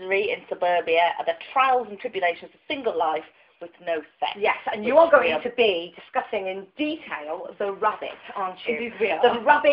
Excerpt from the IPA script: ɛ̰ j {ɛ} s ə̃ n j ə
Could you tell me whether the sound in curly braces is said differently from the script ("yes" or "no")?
no